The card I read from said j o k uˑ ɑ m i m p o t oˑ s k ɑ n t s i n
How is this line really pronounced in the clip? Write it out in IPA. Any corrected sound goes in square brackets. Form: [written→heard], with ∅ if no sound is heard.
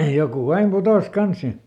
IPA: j o k uˑ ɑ [m→∅] i m p [o→u] t oˑ s k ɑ n [t→s] s i n